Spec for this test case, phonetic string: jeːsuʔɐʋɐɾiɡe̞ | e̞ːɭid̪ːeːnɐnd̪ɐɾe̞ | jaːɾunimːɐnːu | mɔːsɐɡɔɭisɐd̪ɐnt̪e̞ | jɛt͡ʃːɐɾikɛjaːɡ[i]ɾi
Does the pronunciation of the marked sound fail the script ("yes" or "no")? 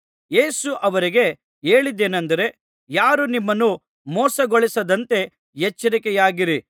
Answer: no